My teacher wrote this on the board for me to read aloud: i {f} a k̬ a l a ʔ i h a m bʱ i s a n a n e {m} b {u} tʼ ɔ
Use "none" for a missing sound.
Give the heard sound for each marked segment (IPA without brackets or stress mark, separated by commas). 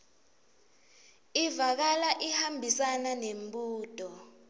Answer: v, m, uː